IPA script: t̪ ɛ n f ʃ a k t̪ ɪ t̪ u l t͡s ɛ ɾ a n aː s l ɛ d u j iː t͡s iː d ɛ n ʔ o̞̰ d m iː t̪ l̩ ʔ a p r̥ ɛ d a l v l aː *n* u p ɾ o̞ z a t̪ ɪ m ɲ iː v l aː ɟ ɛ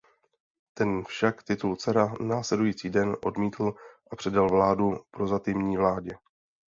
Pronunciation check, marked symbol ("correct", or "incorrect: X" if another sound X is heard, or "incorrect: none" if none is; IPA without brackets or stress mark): incorrect: d